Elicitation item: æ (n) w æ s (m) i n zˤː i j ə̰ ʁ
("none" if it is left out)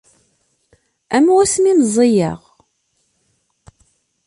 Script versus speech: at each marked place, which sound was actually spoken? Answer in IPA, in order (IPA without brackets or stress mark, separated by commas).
m, m